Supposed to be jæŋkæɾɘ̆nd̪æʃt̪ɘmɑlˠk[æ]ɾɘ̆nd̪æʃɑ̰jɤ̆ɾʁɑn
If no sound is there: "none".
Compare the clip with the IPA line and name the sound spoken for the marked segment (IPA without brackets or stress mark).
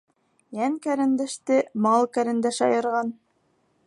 æ